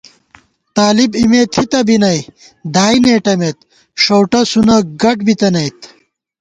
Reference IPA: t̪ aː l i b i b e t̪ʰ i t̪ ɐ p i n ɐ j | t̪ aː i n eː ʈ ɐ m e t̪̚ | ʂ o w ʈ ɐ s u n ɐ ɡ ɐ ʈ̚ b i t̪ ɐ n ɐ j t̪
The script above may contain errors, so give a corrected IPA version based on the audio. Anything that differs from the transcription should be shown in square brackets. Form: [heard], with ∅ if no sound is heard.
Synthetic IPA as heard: t̪ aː l i b i [m] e t̪ʰ i t̪ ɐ [b] i n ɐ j | [d̪] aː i n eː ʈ ɐ m e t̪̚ | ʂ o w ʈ ɐ s u n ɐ ɡ ɐ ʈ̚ b i t̪ ɐ n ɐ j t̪